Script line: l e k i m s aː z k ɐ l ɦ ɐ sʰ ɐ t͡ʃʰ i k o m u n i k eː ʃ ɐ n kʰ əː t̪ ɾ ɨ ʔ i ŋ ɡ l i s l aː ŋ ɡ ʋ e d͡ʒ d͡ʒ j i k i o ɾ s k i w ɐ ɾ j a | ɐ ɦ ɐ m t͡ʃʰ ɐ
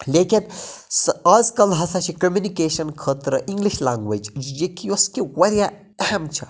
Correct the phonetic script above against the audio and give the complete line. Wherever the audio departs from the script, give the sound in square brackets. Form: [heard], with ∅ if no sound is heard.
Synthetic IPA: l e k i [n] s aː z k ɐ l ɦ ɐ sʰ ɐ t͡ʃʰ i k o m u n i k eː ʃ ɐ n kʰ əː t̪ ɾ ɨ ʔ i ŋ ɡ l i [ʃ] l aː ŋ ɡ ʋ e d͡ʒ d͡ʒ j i k i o [∅] s k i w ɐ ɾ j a | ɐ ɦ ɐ m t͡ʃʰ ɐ